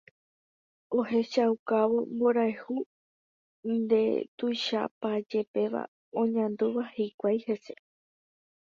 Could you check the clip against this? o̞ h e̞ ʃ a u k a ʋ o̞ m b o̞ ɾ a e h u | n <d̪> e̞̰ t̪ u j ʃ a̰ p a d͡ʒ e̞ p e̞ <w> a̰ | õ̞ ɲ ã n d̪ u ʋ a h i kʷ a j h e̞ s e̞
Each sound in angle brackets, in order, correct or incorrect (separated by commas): correct, incorrect